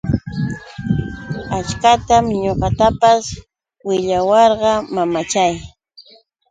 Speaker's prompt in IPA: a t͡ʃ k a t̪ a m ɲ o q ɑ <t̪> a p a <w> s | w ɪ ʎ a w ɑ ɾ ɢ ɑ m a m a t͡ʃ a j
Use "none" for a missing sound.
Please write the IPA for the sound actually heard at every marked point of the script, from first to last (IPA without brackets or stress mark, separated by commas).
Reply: t̪, none